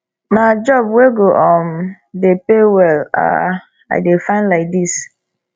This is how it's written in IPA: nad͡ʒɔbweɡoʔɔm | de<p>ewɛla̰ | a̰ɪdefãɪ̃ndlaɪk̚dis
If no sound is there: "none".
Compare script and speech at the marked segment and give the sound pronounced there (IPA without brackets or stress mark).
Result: p